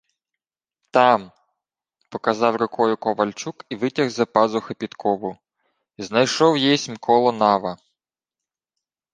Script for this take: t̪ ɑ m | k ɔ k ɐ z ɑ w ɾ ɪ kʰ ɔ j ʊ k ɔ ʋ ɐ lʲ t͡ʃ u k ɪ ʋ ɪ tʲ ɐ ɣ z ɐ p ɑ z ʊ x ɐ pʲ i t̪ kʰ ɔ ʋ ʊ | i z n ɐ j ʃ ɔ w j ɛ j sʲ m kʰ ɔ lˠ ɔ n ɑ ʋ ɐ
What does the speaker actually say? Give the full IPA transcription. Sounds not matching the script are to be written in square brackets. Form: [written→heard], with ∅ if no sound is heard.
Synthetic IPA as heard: t̪ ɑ m | [k→p] ɔ k ɐ z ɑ w ɾ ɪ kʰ ɔ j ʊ k ɔ ʋ ɐ lʲ t͡ʃ u k [ɪ→i] ʋ ɪ tʲ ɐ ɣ z ɐ p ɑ z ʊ x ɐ pʲ i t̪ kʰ ɔ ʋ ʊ | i z n ɐ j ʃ ɔ w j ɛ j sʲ m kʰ ɔ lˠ ɔ n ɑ ʋ ɐ